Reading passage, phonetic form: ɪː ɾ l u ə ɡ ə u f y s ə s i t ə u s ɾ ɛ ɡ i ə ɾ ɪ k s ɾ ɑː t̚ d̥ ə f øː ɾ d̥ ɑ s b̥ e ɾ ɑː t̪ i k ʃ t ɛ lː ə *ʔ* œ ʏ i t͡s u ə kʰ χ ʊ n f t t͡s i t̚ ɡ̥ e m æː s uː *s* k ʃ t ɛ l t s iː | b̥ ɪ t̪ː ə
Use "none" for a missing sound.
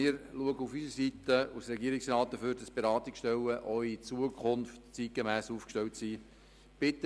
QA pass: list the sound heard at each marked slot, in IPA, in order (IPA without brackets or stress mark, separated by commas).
ʔ, f